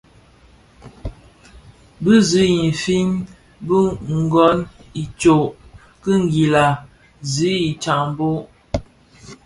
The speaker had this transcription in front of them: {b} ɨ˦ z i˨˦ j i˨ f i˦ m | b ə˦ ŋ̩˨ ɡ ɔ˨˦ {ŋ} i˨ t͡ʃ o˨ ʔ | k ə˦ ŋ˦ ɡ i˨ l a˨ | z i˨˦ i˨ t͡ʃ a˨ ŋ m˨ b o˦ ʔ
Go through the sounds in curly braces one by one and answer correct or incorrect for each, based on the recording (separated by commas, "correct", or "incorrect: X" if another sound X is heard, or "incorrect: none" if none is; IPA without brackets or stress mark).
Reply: correct, incorrect: n